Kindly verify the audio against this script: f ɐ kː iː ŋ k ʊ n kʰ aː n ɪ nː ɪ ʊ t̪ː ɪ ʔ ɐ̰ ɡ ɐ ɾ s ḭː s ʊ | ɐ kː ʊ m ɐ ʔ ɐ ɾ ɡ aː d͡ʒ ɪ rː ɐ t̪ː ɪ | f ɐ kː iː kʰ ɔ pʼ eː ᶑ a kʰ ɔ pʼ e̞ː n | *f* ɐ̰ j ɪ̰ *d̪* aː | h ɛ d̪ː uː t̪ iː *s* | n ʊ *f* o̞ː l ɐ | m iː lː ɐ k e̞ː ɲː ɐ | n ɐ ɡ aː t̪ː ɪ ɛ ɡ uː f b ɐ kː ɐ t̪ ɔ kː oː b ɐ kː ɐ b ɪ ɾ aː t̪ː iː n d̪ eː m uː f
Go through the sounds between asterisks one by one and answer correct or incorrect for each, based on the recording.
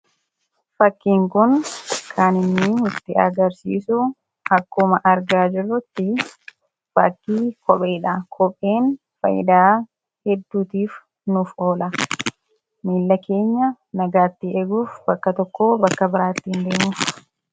correct, correct, incorrect, correct

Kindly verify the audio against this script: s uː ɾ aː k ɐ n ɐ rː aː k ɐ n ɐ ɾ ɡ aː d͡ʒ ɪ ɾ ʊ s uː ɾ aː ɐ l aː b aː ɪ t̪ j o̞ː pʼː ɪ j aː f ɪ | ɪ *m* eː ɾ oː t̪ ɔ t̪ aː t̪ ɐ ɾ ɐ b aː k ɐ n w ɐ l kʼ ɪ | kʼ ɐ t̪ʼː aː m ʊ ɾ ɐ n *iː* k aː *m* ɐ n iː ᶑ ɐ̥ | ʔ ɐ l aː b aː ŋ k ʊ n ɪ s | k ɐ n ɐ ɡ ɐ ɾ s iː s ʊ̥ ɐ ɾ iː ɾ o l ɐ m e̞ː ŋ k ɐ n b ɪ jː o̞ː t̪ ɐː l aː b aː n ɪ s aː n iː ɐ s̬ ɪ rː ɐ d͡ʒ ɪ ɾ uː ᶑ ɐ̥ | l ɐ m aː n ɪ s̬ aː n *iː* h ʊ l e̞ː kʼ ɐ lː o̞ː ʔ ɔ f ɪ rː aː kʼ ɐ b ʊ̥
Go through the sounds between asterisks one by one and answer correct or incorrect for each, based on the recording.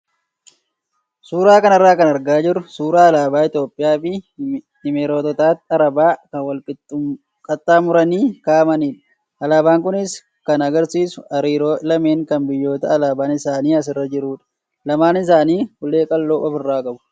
correct, correct, correct, correct

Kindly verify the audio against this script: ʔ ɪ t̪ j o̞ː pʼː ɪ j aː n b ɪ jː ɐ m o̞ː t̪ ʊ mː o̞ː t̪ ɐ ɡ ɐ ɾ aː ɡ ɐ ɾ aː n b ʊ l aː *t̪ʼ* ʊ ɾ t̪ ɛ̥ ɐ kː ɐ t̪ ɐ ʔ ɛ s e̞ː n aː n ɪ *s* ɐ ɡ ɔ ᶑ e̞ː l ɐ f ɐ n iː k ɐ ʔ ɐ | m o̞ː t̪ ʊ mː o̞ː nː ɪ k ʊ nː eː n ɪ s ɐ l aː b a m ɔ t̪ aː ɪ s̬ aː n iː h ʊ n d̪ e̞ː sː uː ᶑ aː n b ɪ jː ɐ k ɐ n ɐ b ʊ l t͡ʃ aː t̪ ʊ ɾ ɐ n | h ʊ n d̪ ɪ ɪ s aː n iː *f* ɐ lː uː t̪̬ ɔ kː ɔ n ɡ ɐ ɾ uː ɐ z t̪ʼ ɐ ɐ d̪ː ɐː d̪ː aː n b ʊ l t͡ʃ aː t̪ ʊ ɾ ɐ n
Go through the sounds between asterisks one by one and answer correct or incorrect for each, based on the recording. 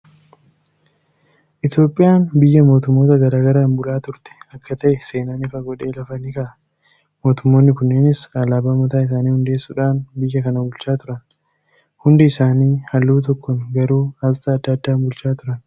incorrect, incorrect, incorrect

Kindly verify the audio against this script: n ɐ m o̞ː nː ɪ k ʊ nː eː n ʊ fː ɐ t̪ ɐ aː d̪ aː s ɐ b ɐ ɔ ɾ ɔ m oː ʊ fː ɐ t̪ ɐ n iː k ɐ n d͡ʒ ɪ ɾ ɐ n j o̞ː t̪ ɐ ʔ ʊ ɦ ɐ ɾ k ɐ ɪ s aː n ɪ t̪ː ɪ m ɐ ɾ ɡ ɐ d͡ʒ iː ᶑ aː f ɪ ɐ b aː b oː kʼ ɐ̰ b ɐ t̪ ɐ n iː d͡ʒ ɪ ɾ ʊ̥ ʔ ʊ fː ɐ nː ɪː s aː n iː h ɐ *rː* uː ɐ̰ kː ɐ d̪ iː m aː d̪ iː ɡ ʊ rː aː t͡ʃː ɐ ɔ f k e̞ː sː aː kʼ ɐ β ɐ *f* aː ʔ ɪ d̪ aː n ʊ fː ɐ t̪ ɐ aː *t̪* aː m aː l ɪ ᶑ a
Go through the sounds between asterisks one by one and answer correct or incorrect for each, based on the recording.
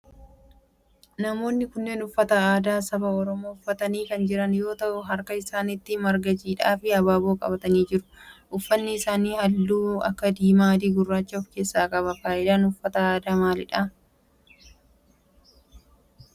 incorrect, correct, incorrect

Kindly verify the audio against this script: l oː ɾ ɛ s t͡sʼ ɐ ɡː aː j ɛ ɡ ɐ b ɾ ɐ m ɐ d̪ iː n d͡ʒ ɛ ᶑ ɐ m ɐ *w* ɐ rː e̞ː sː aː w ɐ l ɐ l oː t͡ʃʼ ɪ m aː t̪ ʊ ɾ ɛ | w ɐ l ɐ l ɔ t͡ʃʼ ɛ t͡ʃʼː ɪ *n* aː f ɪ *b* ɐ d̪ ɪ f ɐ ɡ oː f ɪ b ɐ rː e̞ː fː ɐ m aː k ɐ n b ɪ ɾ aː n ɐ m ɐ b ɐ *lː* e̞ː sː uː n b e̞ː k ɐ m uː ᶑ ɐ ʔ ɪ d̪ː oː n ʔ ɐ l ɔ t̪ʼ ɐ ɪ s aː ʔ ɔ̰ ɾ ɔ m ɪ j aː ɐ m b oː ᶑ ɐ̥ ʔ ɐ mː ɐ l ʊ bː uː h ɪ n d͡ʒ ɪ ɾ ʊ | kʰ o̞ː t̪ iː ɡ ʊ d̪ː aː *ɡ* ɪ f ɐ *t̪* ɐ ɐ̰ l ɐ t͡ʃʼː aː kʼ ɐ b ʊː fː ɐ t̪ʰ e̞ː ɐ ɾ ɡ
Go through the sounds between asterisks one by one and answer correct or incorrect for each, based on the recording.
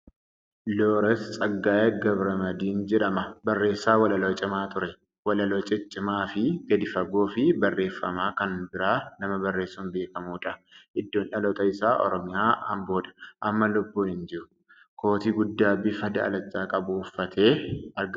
incorrect, incorrect, incorrect, incorrect, incorrect, incorrect

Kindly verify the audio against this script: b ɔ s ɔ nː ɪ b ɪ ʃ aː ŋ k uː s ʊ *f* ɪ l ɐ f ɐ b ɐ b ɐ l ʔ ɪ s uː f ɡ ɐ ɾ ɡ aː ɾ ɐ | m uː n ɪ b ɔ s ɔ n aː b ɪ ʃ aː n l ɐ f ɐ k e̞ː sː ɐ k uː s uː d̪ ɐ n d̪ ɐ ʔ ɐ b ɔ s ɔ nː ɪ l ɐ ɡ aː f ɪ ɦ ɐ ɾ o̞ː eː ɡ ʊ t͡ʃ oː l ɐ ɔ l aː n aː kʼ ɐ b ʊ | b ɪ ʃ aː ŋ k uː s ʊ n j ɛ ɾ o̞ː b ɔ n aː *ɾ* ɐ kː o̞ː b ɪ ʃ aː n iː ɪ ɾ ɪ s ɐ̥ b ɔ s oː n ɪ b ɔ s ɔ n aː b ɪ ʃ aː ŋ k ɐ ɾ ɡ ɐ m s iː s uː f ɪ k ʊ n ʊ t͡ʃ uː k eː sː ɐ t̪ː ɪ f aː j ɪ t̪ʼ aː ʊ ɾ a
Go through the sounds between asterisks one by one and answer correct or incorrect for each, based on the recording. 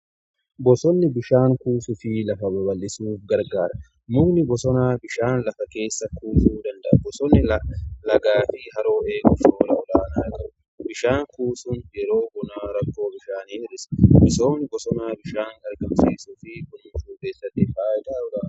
correct, correct

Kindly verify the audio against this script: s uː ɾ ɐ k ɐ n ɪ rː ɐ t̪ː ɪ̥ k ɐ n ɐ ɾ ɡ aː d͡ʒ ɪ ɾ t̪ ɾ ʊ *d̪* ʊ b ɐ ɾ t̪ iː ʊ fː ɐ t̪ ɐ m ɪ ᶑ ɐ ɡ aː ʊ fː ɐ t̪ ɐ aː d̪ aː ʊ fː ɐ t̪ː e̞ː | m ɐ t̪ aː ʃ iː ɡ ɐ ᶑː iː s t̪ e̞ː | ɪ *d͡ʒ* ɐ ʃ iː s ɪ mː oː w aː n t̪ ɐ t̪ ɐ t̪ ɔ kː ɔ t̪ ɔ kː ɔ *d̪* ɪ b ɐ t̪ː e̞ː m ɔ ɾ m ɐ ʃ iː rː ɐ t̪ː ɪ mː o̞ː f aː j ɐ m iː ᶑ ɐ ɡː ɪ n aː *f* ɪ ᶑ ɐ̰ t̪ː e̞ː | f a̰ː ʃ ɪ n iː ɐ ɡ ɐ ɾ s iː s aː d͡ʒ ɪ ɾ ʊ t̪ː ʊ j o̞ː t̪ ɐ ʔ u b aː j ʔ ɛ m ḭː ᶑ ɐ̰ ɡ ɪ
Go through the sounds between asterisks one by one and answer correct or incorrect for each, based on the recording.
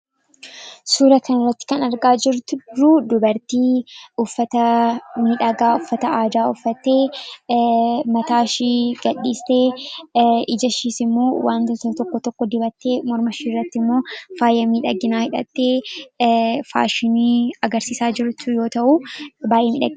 correct, correct, correct, incorrect

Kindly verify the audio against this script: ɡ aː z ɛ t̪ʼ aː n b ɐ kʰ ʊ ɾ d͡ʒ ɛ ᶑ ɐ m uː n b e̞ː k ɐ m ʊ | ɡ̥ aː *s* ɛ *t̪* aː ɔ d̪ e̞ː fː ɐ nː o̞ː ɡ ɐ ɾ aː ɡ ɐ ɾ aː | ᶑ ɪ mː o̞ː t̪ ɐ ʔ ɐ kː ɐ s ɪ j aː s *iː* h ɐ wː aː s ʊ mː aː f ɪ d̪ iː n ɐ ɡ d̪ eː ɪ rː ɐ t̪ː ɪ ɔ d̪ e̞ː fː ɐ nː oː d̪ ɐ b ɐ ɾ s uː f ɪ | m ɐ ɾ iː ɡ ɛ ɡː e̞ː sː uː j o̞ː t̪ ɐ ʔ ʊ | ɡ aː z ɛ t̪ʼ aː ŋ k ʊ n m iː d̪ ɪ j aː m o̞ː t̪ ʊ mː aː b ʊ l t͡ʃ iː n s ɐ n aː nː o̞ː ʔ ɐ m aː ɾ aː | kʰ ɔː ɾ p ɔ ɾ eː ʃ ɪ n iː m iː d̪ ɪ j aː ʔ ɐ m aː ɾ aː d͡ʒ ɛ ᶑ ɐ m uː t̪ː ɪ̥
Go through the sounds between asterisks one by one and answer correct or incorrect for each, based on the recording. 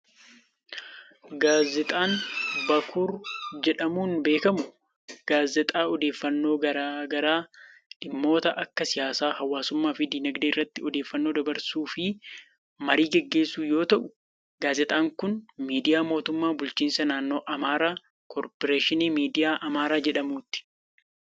incorrect, incorrect, incorrect

